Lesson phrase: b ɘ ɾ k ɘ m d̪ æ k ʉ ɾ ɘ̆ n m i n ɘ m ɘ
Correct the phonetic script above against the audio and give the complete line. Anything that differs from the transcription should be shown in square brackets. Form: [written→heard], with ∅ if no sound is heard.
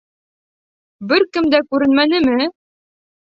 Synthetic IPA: b ɘ ɾ k ɘ m d̪ æ k ʉ ɾ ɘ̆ n m [i→æ] n ɘ m ɘ